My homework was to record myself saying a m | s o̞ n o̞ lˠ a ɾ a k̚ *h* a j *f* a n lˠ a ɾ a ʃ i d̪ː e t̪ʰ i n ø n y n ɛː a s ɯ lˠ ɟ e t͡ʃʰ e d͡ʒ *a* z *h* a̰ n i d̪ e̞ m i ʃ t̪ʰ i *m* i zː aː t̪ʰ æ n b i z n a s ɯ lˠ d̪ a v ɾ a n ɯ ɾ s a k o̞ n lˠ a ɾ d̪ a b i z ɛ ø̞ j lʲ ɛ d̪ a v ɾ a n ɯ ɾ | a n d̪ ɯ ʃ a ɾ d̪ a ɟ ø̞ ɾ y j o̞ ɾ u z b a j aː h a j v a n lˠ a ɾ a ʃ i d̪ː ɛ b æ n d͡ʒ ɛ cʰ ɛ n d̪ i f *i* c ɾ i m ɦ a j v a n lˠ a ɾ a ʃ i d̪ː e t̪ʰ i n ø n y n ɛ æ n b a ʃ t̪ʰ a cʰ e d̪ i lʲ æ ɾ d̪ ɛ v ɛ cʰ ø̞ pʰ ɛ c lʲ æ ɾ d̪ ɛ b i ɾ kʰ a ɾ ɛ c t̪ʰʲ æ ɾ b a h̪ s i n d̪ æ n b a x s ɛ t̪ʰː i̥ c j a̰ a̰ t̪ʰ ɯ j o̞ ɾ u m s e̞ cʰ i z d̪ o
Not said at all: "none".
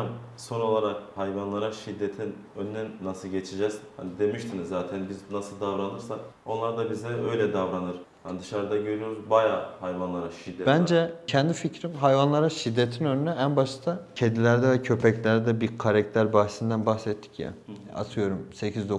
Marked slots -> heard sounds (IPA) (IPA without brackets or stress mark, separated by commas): h, v, ɛ, h, n, i